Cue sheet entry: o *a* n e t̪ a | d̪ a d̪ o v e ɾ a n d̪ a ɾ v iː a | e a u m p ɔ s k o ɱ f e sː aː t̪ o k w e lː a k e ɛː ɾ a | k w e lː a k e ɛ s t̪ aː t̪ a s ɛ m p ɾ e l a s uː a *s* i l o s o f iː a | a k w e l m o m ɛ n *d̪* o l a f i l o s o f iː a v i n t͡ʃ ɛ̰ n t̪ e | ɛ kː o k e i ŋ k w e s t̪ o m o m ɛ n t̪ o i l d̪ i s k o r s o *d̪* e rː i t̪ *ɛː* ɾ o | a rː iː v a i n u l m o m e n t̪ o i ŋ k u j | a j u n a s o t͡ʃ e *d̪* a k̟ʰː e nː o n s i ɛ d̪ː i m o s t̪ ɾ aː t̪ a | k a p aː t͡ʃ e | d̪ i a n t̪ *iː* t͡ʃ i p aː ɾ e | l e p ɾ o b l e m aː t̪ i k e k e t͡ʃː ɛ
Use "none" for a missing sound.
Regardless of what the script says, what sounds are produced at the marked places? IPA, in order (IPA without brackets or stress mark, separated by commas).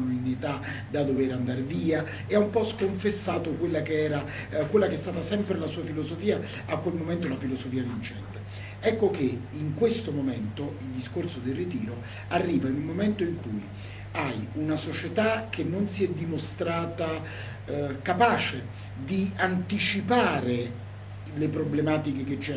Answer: i, f, t̪, d̪, iː, t̪, i